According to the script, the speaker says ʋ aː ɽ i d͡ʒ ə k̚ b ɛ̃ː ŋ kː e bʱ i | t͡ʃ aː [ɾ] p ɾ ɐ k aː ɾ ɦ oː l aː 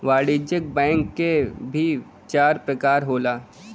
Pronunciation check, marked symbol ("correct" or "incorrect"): correct